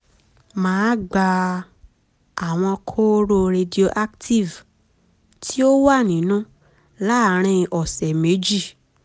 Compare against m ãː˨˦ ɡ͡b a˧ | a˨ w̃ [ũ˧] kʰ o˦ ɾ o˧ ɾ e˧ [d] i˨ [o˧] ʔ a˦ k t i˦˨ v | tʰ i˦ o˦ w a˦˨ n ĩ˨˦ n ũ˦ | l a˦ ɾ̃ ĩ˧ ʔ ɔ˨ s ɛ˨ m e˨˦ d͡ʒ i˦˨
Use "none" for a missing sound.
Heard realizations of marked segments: ɔ̃˧, d, o˧

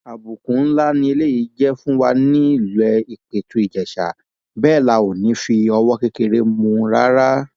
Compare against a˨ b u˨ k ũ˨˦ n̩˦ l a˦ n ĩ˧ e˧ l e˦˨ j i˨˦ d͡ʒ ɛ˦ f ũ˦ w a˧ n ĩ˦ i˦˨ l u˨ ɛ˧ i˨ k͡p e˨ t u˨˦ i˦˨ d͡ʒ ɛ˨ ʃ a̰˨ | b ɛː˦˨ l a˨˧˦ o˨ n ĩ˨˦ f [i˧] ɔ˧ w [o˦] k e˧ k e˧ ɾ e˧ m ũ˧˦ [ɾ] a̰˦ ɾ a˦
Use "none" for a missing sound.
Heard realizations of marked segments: i˧, ɔ˦, ɾ

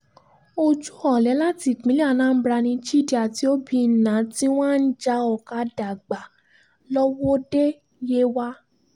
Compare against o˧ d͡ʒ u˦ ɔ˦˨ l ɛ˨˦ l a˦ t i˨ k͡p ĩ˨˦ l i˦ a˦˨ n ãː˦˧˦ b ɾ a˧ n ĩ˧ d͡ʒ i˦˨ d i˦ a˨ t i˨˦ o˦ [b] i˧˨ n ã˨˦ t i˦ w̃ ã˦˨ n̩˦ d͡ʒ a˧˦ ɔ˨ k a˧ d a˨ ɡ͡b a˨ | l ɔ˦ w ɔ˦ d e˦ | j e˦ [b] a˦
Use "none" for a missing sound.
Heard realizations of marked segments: b, w

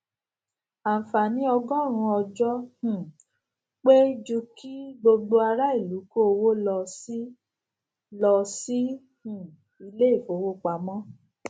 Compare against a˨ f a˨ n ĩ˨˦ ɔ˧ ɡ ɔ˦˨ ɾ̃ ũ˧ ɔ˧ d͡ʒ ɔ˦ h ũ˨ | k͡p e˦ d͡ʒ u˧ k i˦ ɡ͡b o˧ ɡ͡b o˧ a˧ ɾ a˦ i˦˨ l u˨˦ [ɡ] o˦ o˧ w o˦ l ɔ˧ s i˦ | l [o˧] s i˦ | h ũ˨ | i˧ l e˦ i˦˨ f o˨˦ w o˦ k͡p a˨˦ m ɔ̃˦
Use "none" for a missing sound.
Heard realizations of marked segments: k, ɔ˧

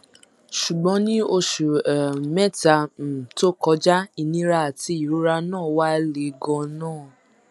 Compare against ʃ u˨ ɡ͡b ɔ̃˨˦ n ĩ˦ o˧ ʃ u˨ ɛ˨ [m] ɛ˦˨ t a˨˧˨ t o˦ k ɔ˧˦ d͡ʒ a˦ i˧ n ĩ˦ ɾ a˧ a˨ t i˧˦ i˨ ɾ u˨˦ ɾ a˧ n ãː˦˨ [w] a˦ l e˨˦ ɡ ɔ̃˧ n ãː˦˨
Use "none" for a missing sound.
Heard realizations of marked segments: m, w

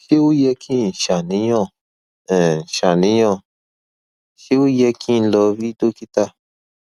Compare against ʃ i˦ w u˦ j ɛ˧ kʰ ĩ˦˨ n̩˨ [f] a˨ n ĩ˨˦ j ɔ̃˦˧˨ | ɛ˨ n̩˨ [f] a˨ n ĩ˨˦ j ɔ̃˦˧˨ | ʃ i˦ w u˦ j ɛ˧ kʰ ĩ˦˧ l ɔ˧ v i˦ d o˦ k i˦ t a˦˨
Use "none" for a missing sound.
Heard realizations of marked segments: ʃ, ʃ

